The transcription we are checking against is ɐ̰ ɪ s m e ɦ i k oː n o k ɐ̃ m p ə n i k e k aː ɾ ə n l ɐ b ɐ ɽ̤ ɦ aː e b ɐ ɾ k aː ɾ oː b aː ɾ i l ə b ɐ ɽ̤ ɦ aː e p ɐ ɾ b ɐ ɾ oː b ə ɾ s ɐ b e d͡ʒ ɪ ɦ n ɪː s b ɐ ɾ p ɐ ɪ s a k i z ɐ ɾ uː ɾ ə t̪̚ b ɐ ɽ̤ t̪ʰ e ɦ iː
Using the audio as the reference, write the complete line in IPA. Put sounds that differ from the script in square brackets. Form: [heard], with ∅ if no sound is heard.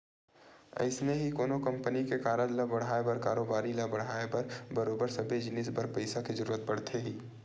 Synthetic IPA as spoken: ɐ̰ ɪ s m e ɦ i k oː n o k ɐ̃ m p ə n i k e k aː ɾ ə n l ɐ b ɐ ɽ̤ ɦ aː e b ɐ ɾ k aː ɾ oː b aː ɾ i l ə b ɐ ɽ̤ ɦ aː e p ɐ ɾ b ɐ ɾ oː b ə ɾ s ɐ b e d͡ʒ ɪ [∅] n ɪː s b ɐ ɾ p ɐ ɪ s a k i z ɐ ɾ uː ɾ ə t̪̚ b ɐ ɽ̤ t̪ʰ e ɦ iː